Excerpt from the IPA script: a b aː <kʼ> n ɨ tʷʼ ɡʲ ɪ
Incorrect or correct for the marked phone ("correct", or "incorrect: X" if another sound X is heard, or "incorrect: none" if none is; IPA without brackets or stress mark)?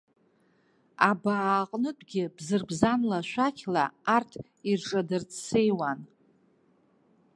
incorrect: qʼ